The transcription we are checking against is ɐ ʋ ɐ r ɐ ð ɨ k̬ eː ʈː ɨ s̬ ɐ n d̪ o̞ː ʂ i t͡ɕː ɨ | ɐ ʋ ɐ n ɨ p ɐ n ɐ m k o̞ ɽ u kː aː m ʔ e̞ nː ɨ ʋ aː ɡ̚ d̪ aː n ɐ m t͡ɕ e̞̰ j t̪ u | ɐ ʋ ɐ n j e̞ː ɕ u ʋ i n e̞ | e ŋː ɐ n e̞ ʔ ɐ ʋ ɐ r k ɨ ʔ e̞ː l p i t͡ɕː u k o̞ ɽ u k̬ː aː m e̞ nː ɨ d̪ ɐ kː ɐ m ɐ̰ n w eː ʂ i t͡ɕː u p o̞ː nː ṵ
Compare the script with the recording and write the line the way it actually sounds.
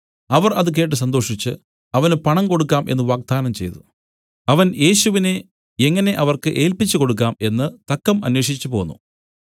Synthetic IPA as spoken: ɐ ʋ ɐ r ɐ ð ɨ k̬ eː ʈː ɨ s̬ ɐ n d̪ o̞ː ʂ i t͡ɕː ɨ | ɐ ʋ ɐ n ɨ p ɐ ɳ ɐ m k o̞ ɽ u kː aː m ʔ e̞ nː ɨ ʋ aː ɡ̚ d̪ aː n ɐ m t͡ɕ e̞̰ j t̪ u | ɐ ʋ ɐ n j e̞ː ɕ u ʋ i n e̞ | e ŋː ɐ n e̞ ʔ ɐ ʋ ɐ r k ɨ ʔ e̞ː l p i t͡ɕː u k o̞ ɽ u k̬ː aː m e̞ nː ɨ t̪ ɐ kː ɐ m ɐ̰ n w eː ʂ i t͡ɕː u p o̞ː nː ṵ